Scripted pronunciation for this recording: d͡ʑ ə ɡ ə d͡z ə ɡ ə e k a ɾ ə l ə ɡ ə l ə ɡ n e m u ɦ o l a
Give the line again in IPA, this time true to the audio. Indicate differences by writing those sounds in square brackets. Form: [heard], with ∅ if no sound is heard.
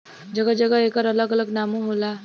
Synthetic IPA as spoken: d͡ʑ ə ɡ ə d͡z ə ɡ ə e k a ɾ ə l ə ɡ ə l ə ɡ n [a] m u ɦ o l a